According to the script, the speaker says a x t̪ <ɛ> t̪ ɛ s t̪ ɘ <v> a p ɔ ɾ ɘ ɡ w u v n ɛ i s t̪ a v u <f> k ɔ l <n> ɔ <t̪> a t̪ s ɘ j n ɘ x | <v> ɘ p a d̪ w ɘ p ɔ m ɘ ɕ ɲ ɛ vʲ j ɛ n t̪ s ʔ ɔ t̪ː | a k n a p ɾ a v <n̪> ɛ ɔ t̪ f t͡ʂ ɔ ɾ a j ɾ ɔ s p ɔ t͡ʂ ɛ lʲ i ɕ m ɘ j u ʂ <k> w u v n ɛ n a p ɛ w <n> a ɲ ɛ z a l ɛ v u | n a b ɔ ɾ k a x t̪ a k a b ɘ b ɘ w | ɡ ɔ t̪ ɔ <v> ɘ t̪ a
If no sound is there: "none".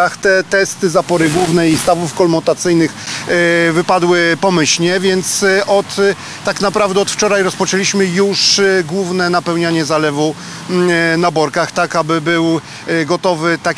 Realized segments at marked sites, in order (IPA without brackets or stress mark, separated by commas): ɛ, z, f, m, t̪, v, d̪, ɡ, ɲ, v